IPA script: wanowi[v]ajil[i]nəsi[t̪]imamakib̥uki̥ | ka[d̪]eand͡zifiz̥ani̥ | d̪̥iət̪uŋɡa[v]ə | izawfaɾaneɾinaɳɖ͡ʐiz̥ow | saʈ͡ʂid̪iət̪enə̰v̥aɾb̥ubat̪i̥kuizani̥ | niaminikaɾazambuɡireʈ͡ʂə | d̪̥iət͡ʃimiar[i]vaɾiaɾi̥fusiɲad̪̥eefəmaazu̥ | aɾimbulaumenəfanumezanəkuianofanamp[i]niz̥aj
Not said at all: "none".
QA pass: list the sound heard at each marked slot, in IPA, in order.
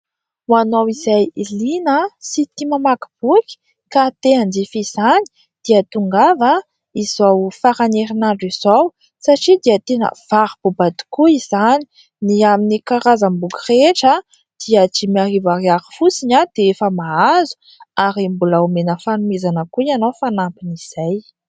z, i, t̪, t̪, v, i, i

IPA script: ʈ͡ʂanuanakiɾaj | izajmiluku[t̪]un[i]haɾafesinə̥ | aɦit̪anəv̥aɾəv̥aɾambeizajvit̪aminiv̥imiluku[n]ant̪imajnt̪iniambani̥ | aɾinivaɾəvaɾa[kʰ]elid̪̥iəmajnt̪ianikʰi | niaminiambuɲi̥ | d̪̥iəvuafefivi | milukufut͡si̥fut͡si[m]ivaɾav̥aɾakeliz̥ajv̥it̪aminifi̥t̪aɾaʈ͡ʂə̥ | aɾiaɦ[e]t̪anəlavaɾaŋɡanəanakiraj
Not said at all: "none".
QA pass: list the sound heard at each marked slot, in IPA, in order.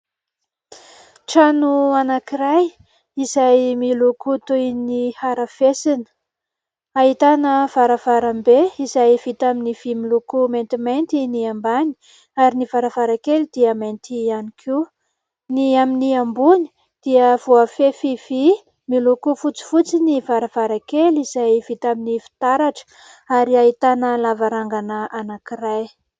t̪, i, m, k, n, i

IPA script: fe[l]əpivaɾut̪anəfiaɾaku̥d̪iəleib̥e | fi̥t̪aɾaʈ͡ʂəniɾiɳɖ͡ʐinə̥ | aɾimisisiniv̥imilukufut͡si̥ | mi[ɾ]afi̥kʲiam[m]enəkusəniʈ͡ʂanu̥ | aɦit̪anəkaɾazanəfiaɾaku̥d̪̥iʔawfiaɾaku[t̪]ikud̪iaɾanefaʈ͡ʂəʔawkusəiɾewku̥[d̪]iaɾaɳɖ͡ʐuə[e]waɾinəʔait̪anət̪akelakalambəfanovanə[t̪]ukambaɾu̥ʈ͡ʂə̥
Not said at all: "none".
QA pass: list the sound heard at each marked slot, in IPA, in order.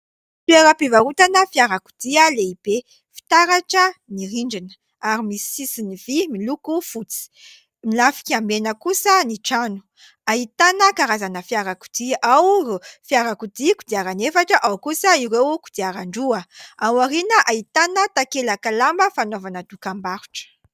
ɾ, l, b, d̪, d̪, a, d̪

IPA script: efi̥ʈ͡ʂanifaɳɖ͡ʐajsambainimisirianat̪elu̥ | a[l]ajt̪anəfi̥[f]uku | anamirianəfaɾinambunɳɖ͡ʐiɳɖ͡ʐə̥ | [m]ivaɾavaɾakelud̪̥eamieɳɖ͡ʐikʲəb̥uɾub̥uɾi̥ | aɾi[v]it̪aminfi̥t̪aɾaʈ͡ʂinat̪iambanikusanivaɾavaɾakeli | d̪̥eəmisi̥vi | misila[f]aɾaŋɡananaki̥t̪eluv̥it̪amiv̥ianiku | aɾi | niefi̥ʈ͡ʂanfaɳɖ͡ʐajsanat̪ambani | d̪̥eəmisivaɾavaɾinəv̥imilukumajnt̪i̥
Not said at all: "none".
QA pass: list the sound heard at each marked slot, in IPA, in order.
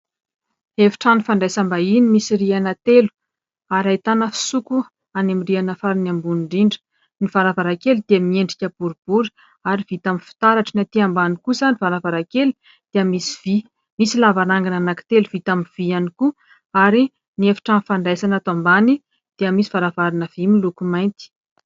ɾ, s, n, v, v

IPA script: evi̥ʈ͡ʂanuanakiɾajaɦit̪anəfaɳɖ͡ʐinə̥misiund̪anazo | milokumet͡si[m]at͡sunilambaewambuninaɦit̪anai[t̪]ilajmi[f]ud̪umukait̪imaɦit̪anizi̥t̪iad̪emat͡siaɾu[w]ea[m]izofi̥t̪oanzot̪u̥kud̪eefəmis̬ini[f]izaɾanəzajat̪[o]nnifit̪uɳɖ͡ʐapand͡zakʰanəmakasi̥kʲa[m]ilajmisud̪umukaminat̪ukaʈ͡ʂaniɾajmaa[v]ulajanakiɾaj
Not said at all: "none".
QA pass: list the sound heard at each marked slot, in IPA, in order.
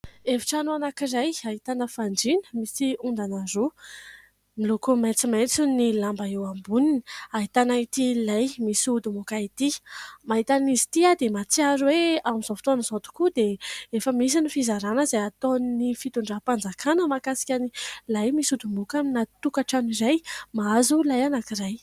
m, t̪, s, w, m, f, o, n, z

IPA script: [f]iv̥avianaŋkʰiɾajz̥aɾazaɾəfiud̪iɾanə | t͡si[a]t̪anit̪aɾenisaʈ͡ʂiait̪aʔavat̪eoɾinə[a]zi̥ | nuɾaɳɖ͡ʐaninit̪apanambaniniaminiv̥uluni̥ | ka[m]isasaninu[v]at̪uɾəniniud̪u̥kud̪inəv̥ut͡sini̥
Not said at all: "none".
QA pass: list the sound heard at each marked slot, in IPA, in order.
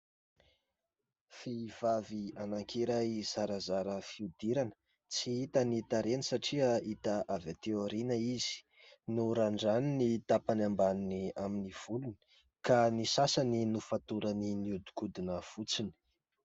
f, i, i, n, f

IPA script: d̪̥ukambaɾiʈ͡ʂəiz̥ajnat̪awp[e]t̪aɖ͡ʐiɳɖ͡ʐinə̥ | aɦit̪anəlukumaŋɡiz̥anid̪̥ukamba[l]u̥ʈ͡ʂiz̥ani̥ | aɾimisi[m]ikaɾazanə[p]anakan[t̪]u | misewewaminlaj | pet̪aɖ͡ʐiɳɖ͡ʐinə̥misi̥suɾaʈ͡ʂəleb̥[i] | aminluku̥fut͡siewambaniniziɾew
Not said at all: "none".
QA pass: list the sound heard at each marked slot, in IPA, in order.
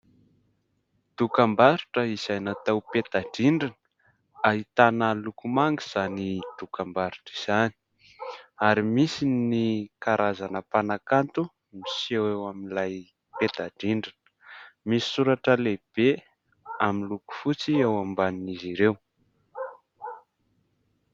e, ɾ, n, p, t̪, e

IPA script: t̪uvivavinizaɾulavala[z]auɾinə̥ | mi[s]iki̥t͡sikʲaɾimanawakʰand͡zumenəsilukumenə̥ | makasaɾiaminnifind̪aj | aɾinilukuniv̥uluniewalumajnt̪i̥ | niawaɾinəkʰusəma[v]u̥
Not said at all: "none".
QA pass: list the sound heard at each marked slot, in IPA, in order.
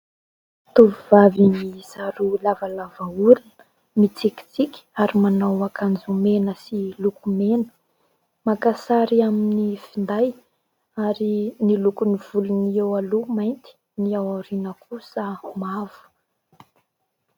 v, t͡s, v

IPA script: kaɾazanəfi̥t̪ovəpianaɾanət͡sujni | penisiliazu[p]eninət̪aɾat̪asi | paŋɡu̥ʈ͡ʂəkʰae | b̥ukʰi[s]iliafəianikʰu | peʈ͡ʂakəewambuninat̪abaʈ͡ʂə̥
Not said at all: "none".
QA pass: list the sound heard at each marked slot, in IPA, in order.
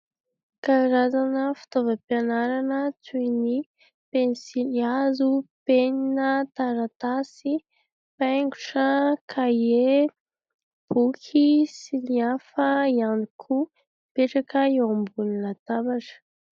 p, s

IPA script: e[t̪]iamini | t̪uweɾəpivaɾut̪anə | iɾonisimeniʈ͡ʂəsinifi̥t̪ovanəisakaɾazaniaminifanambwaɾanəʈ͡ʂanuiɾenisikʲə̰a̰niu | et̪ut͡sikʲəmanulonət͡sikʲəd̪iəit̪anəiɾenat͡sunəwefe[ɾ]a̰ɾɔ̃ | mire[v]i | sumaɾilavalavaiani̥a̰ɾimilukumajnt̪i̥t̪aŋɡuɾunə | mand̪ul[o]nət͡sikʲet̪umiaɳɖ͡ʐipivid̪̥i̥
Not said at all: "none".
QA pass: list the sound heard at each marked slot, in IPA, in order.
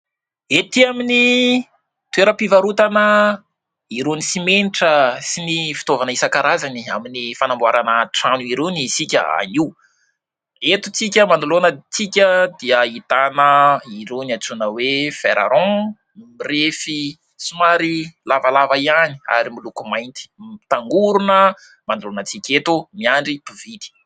t̪, ɾ, f, o

